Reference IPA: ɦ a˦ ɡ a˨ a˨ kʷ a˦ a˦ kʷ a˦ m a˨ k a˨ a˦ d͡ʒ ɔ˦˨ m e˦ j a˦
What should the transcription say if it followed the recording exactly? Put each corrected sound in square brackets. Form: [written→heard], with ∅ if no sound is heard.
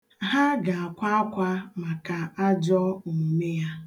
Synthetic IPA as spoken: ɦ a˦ ɡ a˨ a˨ kʷ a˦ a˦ kʷ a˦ m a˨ k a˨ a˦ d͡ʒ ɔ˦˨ m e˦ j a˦